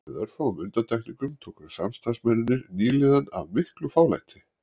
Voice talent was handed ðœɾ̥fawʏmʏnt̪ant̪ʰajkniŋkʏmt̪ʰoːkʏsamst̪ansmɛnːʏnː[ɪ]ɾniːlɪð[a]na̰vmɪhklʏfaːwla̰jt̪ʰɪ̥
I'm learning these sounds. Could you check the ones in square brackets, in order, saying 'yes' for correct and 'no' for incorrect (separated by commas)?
yes, yes